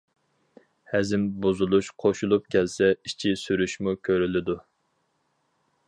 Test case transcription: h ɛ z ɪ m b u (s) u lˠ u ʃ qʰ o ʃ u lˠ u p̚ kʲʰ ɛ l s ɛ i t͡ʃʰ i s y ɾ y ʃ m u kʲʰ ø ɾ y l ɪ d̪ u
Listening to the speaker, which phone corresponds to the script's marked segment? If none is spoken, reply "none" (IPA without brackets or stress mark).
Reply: z